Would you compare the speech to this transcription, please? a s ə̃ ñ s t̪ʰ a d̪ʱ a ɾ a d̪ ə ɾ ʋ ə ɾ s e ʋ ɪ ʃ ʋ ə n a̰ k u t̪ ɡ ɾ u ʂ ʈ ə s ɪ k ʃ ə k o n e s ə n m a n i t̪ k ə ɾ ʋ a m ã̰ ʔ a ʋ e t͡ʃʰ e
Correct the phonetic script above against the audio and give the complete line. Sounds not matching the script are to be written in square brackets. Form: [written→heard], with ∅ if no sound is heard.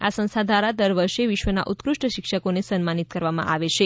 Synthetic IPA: a s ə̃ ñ s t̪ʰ a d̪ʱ a ɾ a d̪ ə ɾ ʋ ə ɾ [s→ʃ] e ʋ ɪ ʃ ʋ ə n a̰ [k→ʔ] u t̪ [ɡ→k] ɾ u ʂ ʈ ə [s→ʃ] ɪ k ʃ ə k o n e s ə n m a n i t̪ k ə ɾ ʋ a m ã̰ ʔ a ʋ e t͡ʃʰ e